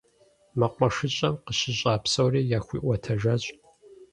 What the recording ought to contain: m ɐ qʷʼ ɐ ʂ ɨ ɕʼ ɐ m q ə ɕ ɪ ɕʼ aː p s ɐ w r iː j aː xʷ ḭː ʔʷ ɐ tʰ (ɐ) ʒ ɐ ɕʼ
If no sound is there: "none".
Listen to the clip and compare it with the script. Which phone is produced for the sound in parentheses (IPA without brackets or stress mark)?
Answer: ɐ